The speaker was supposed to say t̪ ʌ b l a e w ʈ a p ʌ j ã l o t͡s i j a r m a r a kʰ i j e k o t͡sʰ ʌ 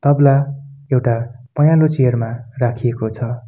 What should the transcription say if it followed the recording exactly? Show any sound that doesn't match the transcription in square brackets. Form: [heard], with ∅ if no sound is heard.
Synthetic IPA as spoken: t̪ ʌ b l a e w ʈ a p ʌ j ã l o t͡s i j [ʌ] r m a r a kʰ i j e k o t͡sʰ ʌ